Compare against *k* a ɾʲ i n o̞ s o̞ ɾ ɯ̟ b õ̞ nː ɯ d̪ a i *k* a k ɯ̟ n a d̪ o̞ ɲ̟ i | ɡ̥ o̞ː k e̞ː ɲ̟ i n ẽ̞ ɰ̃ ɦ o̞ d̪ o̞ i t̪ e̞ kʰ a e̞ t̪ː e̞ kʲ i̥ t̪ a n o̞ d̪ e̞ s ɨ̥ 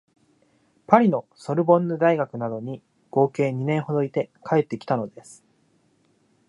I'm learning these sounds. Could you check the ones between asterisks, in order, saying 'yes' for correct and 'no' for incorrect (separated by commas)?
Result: no, no